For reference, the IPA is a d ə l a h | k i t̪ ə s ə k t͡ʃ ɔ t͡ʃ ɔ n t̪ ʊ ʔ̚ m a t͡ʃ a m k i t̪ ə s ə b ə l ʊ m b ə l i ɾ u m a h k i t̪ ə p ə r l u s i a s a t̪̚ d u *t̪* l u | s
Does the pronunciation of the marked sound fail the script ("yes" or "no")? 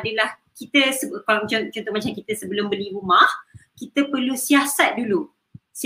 yes